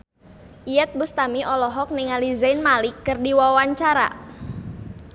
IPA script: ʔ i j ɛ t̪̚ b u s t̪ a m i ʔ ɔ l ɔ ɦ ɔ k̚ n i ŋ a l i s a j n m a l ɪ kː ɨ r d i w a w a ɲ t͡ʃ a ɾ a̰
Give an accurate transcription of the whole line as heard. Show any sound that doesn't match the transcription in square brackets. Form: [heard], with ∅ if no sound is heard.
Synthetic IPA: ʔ i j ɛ t̪̚ b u s t̪ a m i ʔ ɔ l ɔ ɦ ɔ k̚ n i ŋ a l i [z] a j n m a l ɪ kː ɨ r d i w a w a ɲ t͡ʃ a ɾ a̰